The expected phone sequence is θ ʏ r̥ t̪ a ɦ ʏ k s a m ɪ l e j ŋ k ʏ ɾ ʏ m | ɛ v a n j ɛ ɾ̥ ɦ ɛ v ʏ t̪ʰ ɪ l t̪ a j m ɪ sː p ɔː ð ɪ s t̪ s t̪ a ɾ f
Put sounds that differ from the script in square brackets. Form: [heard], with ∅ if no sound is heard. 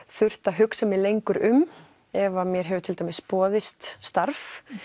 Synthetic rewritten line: θ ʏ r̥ t̪ a ɦ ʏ k s a m ɪ l e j ŋ k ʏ ɾ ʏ m | ɛ v a [m] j ɛ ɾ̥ ɦ ɛ v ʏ t̪ʰ ɪ l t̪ a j m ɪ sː p ɔː ð ɪ s t̪ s t̪ a ɾ f